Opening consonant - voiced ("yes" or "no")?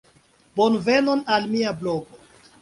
yes